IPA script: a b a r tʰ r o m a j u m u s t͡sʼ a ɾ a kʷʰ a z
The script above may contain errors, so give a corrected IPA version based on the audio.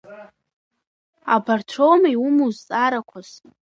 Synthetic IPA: a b a r tʰ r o m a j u m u z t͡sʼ a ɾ a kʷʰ a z